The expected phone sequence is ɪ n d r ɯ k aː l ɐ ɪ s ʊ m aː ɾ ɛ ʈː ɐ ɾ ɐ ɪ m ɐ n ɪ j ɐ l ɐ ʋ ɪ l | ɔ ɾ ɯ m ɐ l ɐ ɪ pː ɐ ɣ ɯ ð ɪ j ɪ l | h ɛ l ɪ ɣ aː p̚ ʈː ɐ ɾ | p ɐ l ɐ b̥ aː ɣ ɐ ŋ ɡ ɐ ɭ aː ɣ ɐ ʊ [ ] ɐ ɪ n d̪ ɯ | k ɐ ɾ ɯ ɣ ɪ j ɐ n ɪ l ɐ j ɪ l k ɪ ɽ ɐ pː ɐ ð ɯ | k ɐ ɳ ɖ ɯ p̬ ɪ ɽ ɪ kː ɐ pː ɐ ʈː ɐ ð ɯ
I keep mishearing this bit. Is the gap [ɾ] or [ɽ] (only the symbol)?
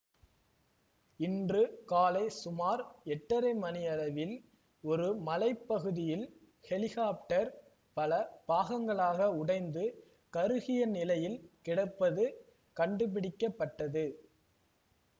ɽ